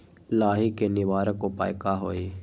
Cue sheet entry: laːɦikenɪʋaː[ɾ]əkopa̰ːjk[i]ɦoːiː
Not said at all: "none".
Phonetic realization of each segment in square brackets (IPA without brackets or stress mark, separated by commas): ɾ, a